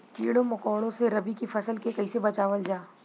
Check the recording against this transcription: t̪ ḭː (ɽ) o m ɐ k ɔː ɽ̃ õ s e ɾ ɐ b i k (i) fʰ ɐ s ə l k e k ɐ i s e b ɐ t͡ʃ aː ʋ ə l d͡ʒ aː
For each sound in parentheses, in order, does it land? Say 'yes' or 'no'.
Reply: yes, yes

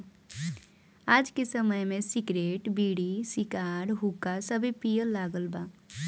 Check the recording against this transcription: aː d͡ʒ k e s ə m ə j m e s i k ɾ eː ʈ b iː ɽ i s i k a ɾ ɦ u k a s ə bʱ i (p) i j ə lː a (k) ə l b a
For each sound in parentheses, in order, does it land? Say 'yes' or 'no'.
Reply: yes, no

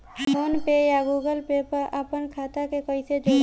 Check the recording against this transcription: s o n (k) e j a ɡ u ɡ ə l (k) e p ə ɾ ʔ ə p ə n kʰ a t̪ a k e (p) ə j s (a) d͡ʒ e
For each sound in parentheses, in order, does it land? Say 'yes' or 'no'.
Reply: no, no, no, no

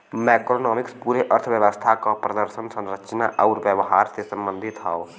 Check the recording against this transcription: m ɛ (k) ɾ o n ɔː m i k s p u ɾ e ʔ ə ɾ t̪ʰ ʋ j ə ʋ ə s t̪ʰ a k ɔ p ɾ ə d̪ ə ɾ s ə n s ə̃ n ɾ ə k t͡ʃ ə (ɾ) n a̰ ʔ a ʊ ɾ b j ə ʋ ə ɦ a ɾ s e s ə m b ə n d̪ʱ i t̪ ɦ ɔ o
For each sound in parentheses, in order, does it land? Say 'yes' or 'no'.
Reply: yes, no

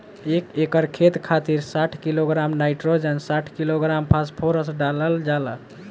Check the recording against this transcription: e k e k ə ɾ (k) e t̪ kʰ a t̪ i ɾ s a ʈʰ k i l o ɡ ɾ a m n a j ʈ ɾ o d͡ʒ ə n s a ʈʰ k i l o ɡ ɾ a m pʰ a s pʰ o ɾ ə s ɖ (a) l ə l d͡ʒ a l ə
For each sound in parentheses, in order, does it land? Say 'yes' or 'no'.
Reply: no, yes

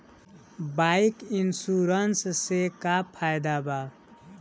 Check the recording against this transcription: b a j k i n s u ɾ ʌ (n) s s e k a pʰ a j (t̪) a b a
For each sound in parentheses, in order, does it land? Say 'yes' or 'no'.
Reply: yes, no

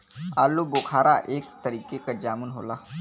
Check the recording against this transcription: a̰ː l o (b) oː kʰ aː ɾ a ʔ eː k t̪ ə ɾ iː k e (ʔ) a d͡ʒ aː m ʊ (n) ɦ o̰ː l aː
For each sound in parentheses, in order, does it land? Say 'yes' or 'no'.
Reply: yes, no, yes

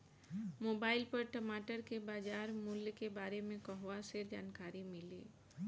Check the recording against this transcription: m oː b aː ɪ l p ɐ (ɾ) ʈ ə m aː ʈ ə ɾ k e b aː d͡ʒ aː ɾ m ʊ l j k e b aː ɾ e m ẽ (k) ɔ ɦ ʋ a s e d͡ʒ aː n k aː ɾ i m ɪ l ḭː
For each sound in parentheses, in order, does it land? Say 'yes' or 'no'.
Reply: yes, yes

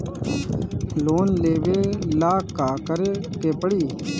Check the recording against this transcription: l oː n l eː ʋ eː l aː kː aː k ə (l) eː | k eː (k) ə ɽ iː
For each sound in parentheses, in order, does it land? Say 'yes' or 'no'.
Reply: no, no

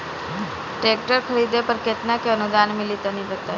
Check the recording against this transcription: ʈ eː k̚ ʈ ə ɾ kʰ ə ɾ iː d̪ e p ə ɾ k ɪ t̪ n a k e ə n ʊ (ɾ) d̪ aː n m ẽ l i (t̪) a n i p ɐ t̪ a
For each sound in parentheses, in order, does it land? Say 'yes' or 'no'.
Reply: no, yes

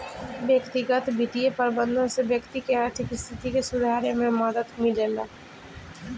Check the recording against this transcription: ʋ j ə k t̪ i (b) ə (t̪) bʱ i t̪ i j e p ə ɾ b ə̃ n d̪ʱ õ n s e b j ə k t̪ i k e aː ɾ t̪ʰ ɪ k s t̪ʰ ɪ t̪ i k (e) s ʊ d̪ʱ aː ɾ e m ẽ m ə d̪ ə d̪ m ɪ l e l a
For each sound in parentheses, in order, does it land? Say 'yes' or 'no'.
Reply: no, yes, yes

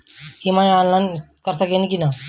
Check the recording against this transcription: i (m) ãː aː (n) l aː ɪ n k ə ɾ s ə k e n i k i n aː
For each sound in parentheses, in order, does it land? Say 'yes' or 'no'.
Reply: yes, yes

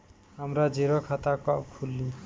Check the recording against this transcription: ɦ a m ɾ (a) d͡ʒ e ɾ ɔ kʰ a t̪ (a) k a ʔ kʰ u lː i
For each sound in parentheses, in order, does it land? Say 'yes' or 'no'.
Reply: yes, yes

